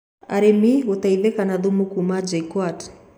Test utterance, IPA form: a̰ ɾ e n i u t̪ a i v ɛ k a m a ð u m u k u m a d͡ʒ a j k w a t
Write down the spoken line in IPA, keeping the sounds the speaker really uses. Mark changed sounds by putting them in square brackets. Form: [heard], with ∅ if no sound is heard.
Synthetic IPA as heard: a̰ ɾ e [m] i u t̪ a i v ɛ k a [n] a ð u m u k u m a d͡ʒ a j k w a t